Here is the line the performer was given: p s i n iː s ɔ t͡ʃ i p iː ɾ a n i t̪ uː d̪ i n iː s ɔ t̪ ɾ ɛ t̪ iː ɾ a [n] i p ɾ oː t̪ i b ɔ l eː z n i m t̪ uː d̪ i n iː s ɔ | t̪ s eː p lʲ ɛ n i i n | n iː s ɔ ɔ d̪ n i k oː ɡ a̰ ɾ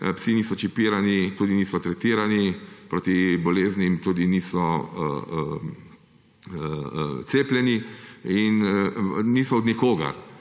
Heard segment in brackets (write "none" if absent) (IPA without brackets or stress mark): n